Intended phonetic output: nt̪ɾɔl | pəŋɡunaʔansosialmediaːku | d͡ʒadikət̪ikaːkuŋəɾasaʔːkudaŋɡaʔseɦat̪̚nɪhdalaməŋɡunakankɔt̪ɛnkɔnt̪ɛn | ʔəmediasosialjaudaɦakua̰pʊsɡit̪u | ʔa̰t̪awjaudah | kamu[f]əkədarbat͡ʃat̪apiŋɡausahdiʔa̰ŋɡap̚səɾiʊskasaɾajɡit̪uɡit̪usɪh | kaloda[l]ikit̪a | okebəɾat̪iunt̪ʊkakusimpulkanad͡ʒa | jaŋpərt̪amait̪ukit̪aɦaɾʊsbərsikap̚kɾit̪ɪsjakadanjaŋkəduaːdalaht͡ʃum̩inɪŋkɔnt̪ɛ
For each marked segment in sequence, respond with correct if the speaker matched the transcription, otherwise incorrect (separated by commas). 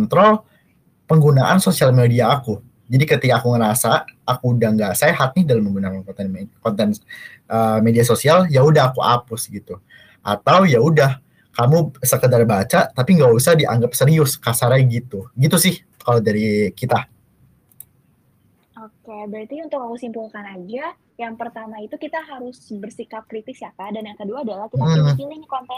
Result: incorrect, incorrect